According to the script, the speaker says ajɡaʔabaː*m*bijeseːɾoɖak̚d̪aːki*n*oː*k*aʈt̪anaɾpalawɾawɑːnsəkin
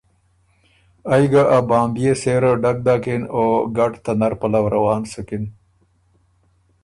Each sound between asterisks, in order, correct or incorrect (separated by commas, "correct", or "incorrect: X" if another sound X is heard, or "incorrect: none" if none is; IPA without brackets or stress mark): correct, correct, incorrect: ɡ